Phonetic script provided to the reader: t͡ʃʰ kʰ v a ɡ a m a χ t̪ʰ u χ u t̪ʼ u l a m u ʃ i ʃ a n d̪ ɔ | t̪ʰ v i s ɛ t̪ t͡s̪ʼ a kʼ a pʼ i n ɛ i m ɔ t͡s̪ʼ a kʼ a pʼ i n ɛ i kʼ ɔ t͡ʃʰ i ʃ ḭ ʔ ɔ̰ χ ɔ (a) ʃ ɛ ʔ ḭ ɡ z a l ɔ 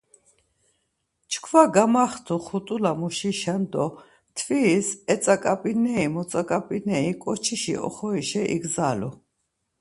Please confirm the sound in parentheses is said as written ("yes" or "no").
no